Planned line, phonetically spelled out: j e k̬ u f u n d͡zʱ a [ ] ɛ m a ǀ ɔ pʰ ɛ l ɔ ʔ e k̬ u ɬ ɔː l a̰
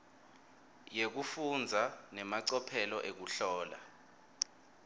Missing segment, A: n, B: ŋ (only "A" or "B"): A